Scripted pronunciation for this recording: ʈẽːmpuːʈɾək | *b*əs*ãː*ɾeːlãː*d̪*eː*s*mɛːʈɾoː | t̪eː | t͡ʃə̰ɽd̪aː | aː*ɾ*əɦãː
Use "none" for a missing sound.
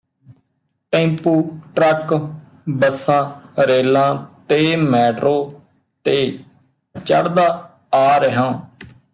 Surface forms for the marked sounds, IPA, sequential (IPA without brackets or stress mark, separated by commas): b, ãː, t̪, none, ɾ